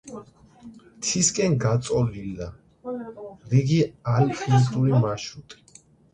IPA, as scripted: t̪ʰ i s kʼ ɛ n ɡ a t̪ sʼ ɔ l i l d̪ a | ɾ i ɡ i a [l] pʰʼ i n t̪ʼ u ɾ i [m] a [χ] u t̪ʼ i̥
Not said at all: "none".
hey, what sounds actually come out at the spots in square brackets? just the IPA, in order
l, m, ʃ

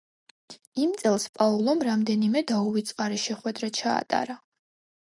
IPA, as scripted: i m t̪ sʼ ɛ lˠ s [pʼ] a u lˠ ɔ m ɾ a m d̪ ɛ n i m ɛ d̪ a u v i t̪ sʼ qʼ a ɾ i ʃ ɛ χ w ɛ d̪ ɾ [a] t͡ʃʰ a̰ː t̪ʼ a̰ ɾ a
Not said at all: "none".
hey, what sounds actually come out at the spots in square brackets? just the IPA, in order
pʼ, a

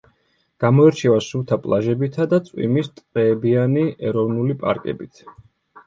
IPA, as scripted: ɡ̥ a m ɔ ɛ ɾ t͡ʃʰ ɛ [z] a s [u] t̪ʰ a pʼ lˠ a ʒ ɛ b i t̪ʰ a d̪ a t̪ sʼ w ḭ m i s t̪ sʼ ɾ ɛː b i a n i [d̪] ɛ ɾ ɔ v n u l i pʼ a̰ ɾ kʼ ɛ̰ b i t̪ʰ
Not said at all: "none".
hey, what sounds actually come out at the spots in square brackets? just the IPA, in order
v, u, none

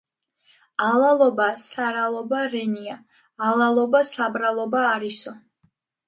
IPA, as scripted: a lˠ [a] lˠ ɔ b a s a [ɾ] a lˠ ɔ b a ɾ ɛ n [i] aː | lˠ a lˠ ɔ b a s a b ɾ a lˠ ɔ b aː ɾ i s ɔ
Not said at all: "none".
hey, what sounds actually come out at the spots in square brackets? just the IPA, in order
a, ɾ, i

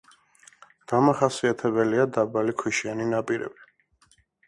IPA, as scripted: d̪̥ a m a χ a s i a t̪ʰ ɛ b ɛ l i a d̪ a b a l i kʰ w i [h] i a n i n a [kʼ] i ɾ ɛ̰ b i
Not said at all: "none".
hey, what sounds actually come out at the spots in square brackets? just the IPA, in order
ʃ, pʼ

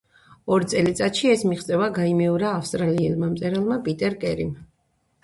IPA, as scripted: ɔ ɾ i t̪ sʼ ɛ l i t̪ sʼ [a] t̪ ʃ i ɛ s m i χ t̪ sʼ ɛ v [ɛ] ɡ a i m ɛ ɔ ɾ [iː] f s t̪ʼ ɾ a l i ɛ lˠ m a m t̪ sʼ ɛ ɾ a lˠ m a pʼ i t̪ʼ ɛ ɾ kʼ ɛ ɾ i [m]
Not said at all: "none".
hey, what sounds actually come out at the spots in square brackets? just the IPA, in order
a, a, aː, m

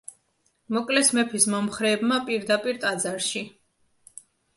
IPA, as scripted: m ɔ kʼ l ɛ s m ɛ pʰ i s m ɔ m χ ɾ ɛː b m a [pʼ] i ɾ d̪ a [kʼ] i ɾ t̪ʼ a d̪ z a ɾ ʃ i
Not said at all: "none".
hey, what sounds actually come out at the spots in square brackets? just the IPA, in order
pʼ, pʼ

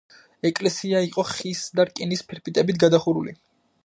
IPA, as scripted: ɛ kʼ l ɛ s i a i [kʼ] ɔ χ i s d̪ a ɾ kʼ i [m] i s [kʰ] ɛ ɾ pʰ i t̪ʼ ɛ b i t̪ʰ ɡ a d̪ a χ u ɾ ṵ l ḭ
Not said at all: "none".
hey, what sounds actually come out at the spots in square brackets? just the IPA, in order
qʼ, n, pʰ

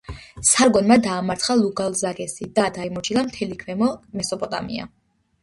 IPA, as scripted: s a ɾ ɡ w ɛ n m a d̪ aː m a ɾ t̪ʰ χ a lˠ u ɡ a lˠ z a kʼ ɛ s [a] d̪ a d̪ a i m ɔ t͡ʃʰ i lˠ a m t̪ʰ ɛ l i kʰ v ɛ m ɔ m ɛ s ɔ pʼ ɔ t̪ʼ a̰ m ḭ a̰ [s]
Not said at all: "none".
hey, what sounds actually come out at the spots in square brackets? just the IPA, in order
i, none

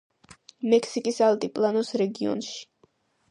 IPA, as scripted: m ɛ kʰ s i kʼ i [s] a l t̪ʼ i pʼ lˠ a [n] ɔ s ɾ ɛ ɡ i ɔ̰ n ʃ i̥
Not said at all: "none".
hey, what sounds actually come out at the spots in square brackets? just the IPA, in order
s, n

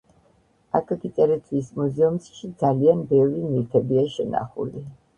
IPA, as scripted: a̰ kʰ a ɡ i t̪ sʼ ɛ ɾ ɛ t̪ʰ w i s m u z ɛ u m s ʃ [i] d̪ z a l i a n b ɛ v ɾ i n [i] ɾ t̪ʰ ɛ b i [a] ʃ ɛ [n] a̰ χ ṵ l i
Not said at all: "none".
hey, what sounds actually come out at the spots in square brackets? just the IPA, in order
i, i, a, n

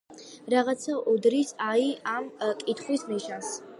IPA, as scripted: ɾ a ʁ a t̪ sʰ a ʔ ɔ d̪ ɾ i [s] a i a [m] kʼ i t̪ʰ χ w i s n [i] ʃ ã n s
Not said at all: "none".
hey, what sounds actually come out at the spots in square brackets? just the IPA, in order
s, m, i

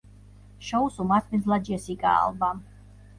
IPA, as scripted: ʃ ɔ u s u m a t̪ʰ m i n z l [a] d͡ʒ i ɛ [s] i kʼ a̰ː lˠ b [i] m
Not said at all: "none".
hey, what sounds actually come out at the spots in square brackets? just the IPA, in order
a, s, a

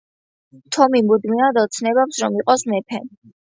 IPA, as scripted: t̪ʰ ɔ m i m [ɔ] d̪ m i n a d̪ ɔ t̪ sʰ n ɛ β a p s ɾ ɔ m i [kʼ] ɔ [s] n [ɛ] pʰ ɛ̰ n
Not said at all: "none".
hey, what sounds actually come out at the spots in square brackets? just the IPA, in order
u, qʼ, s, ɛ

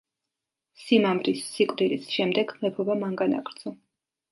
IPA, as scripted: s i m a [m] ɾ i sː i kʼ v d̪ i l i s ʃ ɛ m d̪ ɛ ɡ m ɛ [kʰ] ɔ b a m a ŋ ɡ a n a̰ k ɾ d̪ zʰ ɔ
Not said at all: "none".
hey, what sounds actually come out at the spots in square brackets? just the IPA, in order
m, pʰ

